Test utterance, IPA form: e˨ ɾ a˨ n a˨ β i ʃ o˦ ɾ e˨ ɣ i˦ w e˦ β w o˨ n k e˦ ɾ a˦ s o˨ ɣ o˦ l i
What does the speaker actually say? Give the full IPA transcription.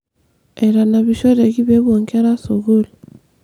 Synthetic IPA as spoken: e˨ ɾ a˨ n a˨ β i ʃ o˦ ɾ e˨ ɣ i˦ β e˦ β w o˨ ŋ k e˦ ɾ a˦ s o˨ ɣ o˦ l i